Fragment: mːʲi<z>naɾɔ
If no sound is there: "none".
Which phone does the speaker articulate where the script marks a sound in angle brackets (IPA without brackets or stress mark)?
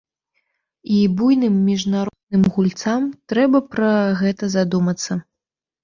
ʐ